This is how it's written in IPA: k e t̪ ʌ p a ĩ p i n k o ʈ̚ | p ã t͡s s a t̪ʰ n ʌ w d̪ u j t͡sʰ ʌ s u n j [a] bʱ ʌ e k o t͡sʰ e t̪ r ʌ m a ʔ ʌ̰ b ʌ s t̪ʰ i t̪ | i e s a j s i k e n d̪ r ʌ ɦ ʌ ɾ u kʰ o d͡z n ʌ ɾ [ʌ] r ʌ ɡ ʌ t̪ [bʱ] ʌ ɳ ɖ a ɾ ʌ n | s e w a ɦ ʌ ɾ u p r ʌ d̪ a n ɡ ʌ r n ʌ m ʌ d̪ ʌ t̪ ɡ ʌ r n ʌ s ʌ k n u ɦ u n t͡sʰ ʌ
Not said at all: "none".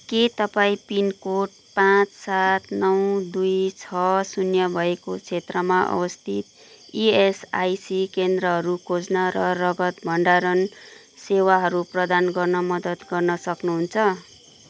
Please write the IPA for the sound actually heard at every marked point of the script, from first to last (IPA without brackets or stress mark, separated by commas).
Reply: ʌ, ʌ, bʱ